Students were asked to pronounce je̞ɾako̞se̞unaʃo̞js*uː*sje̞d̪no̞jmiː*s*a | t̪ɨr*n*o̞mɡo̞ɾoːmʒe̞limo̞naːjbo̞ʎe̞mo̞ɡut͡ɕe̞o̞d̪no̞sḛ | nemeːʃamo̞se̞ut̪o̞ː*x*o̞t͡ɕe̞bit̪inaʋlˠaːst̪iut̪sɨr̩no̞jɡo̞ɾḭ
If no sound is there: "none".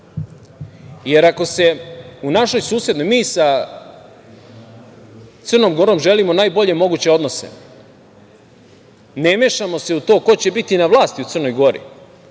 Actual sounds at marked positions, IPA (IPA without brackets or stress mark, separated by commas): uː, s, n, k